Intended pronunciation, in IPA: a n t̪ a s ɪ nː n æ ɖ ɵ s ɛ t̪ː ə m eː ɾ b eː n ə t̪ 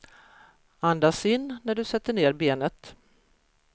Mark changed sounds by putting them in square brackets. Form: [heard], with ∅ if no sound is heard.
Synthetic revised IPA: a n [d̪] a s ɪ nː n æ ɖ ɵ s ɛ t̪ː ə [ɳ] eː ɾ b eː n ə t̪